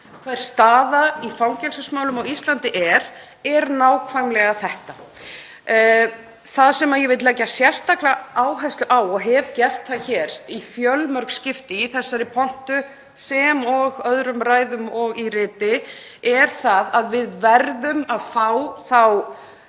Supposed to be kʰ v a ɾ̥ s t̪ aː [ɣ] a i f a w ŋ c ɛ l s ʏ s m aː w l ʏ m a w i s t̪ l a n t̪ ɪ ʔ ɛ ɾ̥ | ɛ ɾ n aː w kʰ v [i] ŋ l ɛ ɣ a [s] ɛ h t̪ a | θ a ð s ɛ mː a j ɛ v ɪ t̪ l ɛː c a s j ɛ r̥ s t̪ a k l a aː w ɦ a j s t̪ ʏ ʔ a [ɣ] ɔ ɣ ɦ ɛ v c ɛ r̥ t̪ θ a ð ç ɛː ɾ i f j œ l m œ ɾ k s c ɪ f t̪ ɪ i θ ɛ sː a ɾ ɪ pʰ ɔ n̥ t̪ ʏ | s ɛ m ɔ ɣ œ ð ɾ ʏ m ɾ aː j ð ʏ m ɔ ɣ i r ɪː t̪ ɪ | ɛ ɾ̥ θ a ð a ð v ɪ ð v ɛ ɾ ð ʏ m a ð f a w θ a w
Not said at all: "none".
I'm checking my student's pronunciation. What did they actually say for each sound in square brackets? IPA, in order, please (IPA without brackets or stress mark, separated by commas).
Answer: ð, a, θ, w